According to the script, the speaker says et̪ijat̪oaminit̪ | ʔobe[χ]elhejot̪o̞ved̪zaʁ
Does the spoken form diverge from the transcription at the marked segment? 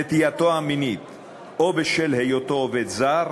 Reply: yes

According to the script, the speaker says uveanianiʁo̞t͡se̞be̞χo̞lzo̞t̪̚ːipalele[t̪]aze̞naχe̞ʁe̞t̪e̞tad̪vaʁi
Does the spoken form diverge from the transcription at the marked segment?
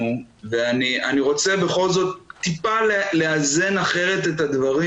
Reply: yes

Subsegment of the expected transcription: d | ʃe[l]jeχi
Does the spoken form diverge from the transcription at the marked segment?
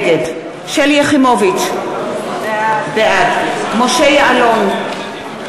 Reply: no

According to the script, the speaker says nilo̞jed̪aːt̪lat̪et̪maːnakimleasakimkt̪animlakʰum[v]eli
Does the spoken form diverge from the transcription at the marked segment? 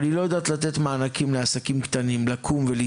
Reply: no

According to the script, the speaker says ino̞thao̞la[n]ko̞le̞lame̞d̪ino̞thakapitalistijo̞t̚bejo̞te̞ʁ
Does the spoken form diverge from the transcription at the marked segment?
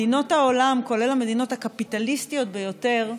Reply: yes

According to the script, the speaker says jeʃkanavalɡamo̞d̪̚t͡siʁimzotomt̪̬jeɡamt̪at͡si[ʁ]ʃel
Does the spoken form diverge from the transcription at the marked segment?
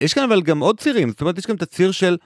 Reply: no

